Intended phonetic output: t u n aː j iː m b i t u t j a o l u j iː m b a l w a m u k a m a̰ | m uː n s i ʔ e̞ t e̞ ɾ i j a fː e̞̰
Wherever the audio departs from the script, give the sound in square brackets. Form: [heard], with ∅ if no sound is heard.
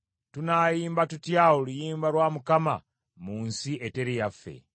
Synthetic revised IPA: t u n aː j iː m b [a] t u t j a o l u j iː m b a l w a m u k a m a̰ | m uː n s i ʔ e̞ t e̞ ɾ i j a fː e̞̰